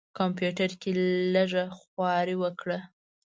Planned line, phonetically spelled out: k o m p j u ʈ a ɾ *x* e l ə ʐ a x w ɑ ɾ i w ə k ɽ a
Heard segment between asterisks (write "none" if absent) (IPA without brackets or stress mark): k